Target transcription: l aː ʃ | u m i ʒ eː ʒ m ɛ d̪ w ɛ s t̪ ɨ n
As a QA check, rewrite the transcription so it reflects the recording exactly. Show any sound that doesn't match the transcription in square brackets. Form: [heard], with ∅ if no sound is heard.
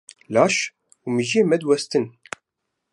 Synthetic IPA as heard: l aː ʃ | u m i ʒ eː [∅] m ɛ d̪ w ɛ s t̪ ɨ n